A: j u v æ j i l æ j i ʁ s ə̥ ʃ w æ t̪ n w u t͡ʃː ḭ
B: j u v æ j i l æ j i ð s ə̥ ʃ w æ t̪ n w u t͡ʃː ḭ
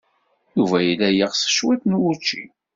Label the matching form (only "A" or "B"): A